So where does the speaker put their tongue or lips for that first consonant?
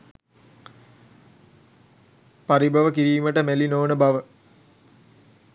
lips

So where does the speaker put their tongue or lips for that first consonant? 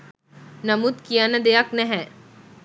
tongue tip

